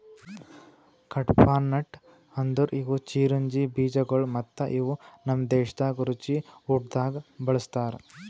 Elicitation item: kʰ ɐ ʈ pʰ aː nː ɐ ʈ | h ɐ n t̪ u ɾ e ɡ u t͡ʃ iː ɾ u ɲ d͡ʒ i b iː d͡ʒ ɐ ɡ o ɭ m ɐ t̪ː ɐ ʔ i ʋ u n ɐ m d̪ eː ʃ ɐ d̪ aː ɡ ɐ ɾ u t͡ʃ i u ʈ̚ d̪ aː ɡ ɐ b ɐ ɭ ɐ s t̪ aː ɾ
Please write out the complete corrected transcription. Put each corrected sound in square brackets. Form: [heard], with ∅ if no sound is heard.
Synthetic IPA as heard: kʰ ɐ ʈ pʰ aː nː ɐ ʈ | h ɐ n [d̪] u ɾ [i] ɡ u t͡ʃ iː ɾ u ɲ d͡ʒ i b iː d͡ʒ ɐ ɡ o ɭ m ɐ t̪ː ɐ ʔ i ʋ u n ɐ m d̪ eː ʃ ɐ d̪ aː ɡ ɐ ɾ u t͡ʃ i u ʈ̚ d̪ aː ɡ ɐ b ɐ ɭ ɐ s t̪ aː ɾ